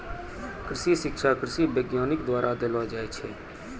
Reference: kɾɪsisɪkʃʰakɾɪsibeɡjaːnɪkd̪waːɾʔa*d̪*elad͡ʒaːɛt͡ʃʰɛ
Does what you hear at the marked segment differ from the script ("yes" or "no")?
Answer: no